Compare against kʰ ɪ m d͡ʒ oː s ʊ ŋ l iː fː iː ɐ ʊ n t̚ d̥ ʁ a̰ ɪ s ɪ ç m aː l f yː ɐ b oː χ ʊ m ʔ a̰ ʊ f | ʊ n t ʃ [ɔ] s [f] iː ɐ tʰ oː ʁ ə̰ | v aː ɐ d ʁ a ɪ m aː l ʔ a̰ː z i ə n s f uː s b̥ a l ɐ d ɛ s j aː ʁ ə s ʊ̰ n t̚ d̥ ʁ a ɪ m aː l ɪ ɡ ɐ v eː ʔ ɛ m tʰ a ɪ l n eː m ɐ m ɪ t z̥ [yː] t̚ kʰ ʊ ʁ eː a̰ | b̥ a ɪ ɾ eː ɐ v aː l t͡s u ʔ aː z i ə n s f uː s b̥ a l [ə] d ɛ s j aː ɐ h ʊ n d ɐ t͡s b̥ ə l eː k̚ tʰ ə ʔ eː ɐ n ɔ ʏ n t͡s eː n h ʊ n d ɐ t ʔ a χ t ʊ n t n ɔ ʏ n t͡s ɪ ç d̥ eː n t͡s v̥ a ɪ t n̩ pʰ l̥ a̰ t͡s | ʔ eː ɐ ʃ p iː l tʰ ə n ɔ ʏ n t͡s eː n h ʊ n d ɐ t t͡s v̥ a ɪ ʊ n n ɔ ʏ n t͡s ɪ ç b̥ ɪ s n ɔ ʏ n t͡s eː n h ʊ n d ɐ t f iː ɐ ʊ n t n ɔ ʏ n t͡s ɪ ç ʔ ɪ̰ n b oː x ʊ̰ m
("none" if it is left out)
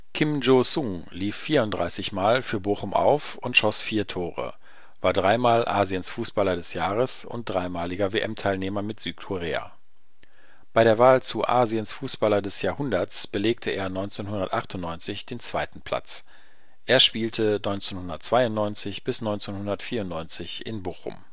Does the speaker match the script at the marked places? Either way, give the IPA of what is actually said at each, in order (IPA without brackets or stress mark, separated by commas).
ɔ, f, yː, ɐ